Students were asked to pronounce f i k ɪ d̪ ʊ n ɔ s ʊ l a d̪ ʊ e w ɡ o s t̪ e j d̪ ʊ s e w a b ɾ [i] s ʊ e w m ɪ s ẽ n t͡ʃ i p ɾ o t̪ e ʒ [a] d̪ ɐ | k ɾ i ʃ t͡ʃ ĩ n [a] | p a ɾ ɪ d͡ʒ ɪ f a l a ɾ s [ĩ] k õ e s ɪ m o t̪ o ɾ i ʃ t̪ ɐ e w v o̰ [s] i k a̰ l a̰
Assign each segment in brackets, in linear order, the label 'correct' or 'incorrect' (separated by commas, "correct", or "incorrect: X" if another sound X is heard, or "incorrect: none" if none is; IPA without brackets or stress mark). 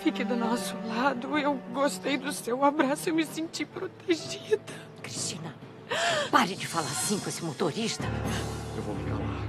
incorrect: a, incorrect: i, incorrect: ɐ, correct, incorrect: f